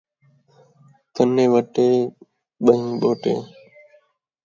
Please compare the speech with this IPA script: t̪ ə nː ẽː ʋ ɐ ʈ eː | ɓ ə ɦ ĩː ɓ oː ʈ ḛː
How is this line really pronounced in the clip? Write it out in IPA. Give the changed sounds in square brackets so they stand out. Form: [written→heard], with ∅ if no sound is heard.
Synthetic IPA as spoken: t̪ ə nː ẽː ʋ [ɐ→ə] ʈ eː | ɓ ə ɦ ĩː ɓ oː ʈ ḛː